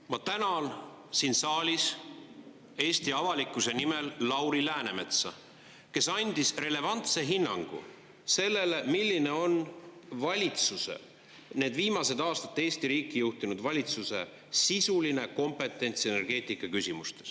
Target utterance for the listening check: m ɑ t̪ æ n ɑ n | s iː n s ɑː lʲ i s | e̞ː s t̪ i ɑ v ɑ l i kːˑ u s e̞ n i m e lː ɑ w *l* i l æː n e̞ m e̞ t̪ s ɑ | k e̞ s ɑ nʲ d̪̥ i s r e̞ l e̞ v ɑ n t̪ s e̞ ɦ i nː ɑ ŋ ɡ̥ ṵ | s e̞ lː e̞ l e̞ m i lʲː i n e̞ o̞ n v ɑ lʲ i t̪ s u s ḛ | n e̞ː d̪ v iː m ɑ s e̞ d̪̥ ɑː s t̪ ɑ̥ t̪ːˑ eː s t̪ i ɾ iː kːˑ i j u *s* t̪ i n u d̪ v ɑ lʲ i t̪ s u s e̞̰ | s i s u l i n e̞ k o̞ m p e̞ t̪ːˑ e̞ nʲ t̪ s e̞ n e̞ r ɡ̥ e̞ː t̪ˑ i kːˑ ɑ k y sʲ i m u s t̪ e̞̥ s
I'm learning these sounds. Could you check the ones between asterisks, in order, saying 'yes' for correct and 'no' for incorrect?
no, no

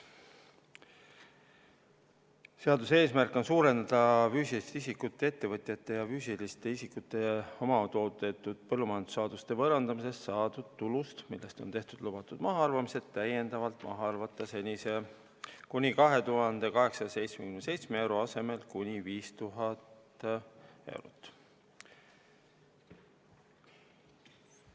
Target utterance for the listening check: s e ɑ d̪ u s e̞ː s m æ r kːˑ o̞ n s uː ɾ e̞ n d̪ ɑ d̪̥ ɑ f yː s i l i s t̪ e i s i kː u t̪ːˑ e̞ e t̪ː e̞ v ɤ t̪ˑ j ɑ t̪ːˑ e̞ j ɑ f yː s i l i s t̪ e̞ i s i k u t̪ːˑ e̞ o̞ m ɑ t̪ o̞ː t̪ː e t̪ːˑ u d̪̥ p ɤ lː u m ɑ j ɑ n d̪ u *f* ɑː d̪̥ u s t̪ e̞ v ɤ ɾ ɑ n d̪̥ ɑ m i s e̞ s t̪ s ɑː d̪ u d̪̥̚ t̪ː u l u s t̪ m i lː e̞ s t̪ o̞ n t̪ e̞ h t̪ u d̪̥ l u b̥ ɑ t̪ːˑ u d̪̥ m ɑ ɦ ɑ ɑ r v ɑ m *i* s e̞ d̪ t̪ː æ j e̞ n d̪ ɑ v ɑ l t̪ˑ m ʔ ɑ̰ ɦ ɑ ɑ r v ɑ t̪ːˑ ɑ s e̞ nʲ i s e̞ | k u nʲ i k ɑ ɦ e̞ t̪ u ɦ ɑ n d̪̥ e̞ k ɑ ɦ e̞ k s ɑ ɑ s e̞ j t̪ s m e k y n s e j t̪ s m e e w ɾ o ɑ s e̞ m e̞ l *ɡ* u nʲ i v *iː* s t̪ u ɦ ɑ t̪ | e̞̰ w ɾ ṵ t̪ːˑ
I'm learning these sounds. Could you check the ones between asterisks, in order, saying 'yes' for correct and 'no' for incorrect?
no, yes, no, yes

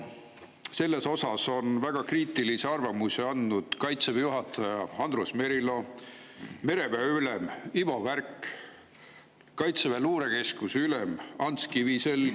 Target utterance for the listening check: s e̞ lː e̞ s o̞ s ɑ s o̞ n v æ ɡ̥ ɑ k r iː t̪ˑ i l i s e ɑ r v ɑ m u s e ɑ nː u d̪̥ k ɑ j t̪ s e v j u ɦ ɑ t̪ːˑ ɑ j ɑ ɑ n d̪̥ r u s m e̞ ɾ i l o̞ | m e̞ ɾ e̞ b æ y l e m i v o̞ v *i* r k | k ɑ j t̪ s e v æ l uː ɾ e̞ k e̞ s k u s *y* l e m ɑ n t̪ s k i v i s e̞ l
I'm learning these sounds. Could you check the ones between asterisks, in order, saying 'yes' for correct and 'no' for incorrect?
no, yes

